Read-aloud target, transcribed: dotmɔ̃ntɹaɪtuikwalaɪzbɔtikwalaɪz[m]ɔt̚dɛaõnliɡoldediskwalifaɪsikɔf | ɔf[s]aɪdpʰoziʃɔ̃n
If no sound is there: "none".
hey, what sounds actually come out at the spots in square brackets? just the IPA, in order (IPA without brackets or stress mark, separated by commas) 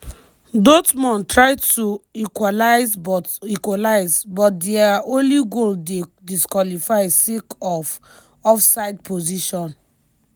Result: b, s